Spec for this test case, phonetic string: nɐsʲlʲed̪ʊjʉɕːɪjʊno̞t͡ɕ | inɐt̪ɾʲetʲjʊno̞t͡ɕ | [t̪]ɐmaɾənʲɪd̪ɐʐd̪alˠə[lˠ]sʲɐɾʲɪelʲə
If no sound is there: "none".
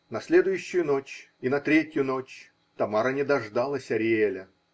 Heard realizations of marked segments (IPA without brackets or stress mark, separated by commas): t̪, none